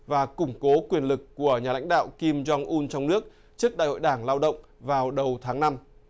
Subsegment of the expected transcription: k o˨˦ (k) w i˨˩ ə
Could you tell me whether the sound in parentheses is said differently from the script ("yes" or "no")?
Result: no